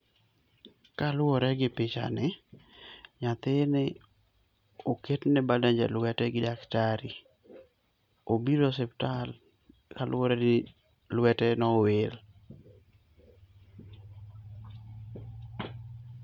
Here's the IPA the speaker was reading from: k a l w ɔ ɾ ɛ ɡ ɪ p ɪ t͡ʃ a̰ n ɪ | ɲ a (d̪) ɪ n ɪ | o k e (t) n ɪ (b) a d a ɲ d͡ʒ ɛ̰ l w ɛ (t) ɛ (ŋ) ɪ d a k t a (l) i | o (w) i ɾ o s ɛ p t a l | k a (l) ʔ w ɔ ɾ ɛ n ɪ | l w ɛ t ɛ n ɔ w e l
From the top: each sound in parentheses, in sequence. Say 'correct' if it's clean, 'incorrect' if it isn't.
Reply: incorrect, correct, correct, correct, incorrect, incorrect, incorrect, correct

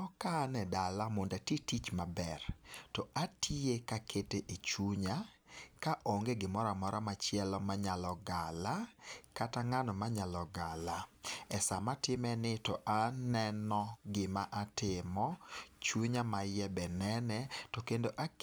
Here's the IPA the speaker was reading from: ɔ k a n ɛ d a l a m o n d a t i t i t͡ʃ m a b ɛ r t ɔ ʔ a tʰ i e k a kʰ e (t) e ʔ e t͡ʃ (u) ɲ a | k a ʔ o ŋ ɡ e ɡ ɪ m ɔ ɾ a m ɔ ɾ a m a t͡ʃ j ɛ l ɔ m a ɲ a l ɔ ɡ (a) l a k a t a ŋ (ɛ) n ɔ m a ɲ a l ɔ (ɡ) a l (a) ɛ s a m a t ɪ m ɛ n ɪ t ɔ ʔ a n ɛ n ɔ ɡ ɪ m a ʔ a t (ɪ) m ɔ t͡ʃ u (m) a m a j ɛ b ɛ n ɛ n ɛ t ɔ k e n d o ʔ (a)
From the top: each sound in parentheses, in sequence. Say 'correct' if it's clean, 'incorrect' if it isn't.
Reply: correct, correct, correct, incorrect, correct, correct, correct, incorrect, correct

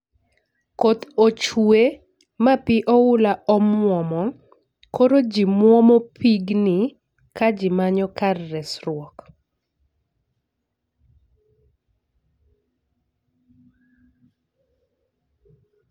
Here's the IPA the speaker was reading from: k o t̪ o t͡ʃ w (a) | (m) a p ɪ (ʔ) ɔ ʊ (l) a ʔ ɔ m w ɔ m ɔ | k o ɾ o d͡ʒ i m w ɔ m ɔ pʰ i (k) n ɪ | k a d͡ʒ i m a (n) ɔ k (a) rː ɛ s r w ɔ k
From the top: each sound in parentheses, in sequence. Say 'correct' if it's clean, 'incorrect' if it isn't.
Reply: incorrect, correct, correct, correct, incorrect, incorrect, correct

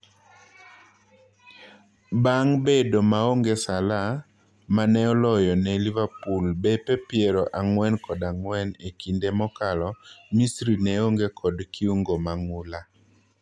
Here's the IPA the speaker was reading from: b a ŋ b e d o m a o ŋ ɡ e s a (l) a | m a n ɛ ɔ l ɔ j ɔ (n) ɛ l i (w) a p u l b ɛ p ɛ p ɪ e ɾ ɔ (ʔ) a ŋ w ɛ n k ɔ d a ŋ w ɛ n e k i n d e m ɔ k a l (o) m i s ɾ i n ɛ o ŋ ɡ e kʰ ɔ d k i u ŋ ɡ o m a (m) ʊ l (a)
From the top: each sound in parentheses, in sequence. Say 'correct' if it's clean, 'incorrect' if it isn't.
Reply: correct, correct, incorrect, correct, incorrect, incorrect, correct

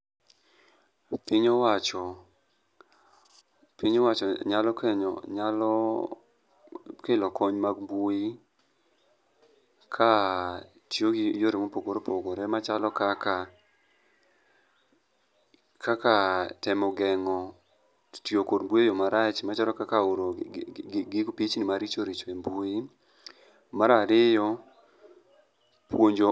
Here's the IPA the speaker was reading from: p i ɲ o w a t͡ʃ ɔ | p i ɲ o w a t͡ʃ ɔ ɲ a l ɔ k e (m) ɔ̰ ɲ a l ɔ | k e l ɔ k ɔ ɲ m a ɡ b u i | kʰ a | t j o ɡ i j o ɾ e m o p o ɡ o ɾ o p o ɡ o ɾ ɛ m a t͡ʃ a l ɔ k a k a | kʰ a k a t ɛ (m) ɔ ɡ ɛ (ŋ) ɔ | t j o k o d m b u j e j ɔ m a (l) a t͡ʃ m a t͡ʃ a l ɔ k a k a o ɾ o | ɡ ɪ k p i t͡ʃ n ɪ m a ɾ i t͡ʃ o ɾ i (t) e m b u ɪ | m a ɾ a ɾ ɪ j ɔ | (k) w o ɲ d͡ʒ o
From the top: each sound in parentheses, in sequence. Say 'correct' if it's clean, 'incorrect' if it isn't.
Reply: incorrect, correct, correct, incorrect, incorrect, incorrect

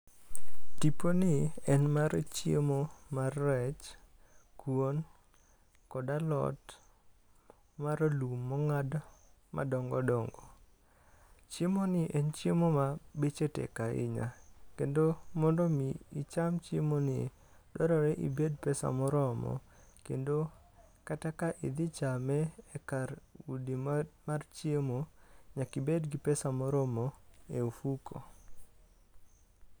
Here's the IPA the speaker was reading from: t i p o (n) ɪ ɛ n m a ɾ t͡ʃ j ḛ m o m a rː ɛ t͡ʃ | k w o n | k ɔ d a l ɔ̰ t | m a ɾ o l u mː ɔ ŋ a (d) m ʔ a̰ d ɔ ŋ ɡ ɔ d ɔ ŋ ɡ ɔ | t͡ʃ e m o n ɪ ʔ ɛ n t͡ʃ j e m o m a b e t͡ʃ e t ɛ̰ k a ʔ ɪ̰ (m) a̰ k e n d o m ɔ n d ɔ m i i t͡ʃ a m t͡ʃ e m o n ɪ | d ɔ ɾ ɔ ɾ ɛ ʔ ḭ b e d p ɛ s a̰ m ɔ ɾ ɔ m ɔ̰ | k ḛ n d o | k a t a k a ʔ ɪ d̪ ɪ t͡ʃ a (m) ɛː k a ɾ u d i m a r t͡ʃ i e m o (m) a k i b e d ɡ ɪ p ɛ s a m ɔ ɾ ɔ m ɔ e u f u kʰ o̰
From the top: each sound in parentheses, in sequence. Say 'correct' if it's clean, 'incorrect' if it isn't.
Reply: correct, correct, incorrect, correct, incorrect

